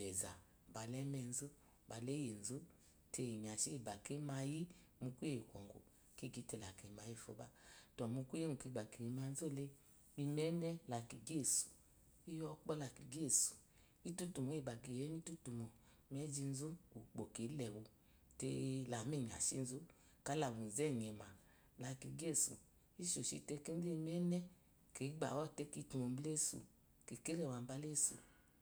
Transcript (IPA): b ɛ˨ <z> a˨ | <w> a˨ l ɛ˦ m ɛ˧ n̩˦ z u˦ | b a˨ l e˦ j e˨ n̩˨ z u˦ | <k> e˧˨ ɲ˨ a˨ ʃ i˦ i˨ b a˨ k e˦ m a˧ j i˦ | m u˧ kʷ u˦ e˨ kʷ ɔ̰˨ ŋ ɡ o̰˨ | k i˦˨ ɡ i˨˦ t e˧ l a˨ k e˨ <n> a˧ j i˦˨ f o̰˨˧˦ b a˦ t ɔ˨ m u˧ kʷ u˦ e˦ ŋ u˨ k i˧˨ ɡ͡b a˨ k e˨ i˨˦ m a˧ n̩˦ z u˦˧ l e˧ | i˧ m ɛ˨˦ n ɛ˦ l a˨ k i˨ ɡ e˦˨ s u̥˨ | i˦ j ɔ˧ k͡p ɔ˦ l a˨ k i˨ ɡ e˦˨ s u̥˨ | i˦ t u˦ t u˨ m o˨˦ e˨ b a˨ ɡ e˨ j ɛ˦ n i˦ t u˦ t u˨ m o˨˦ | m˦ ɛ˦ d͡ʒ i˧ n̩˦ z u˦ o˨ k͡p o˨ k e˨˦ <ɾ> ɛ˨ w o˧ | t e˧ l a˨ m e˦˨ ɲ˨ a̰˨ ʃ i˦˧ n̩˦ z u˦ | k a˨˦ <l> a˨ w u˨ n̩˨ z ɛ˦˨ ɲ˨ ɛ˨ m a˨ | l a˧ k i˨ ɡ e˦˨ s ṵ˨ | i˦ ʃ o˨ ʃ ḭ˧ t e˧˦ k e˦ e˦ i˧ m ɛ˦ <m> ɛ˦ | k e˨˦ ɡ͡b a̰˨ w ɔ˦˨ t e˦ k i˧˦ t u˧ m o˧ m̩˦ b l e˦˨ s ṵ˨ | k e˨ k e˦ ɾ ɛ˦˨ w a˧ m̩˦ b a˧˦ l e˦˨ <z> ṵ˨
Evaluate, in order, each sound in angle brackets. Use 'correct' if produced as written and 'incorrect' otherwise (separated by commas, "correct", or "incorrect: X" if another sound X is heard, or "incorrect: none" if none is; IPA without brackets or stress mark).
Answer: correct, incorrect: b, incorrect: t, incorrect: m, incorrect: l, correct, incorrect: n, incorrect: s